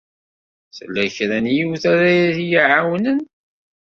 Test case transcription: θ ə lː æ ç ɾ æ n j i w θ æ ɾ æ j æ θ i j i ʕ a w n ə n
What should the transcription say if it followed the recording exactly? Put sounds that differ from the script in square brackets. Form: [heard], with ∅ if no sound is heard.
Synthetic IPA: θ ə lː æ ç ɾ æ n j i w θ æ ɾ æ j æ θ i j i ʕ a w n ə n